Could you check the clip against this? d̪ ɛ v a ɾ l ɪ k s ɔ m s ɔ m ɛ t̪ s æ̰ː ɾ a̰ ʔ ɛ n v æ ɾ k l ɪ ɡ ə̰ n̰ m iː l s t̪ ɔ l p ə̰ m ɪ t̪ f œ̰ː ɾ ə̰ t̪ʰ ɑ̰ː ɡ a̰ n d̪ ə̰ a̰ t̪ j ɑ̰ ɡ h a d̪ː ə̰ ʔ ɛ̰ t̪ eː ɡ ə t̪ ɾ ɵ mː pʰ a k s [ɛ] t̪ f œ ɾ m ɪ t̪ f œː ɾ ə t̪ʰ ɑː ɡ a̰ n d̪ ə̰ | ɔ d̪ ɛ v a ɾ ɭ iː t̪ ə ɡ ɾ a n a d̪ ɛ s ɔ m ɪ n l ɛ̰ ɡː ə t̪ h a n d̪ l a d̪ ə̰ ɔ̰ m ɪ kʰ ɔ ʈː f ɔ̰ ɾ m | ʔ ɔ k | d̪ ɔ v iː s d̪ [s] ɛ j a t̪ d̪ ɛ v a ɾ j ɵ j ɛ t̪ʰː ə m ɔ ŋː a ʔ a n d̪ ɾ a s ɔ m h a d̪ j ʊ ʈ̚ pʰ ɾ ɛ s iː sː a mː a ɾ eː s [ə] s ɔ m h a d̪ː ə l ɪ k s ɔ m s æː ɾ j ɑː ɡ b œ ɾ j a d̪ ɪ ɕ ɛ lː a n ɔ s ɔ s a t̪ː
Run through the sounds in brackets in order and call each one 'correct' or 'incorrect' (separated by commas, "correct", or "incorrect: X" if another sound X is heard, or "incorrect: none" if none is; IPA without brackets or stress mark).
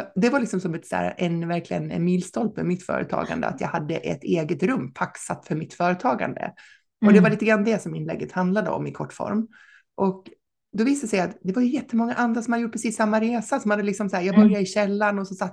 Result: incorrect: a, correct, incorrect: a